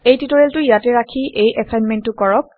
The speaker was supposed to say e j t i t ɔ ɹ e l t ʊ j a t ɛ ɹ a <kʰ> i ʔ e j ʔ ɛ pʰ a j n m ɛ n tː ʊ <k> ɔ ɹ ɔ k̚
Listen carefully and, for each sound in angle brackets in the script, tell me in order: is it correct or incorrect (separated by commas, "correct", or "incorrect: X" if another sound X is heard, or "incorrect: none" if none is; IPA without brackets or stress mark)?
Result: correct, correct